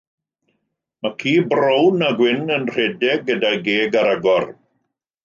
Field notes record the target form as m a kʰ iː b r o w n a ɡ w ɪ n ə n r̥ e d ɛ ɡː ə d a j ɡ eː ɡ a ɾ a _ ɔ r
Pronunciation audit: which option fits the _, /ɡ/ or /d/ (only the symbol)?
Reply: ɡ